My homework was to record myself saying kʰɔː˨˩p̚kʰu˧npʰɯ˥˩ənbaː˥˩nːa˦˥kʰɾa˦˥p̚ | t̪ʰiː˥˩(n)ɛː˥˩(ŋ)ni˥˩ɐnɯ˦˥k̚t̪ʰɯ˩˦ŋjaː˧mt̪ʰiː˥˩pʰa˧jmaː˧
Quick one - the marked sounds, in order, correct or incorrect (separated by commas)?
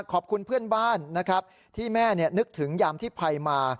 incorrect, incorrect